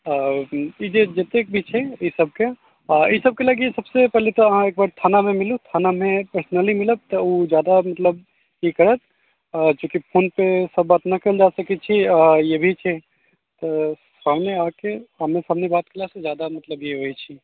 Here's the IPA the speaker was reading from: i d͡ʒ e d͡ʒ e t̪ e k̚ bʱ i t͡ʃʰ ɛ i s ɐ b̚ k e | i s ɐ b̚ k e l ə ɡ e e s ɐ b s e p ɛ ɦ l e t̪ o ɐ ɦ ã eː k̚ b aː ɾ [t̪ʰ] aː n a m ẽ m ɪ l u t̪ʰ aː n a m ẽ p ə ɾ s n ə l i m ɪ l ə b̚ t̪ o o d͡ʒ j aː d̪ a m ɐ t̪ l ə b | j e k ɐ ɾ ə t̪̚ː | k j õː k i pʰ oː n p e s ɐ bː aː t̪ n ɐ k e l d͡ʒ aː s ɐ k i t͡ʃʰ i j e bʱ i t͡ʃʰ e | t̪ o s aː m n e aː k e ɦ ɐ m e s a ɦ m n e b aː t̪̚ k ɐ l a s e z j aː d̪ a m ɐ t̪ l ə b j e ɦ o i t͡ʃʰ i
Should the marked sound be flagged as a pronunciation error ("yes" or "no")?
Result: no